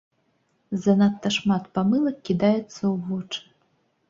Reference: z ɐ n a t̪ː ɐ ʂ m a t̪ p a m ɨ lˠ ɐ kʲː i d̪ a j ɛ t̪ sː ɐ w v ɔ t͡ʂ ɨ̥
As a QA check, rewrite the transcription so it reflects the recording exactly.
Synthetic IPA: z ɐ n a t̪ː ɐ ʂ m a t̪ p a m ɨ lˠ ɐ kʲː i d̪ a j ɛ t̪ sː ɐ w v ɔ t͡ʂ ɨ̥